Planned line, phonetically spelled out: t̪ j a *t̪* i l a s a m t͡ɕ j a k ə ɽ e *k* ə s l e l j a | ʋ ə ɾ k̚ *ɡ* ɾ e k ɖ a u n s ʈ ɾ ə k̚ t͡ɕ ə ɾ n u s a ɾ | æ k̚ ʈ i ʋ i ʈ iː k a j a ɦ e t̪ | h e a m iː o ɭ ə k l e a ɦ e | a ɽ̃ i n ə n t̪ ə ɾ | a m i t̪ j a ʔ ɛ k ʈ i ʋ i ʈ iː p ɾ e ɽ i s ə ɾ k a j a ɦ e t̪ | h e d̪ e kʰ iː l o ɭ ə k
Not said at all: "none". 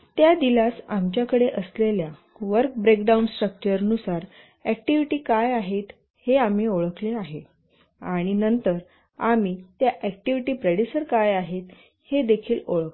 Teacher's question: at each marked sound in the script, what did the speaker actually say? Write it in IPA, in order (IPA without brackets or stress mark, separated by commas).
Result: d̪, ʔ, b